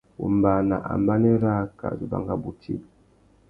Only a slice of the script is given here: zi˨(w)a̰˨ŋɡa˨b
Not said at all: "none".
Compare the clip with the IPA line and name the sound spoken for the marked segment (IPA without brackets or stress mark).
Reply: b